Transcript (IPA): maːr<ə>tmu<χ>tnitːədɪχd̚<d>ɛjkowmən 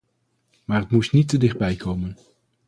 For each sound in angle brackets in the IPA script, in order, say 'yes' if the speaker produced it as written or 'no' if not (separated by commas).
yes, no, no